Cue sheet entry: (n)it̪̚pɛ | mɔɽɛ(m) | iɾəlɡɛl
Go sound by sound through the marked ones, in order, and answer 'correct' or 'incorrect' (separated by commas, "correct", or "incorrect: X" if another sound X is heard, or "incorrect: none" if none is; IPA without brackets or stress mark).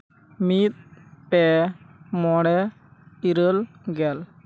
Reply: incorrect: m, incorrect: none